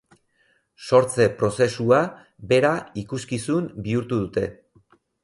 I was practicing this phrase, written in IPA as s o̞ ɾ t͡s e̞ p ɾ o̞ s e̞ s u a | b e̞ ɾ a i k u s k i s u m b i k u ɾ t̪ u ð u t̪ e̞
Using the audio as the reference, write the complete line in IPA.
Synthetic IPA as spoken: s o̞ ɾ t͡s e̞ p ɾ o̞ s e̞ s u a | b e̞ ɾ a i k u s k i s u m b i u ɾ t̪ u ð u t̪ e̞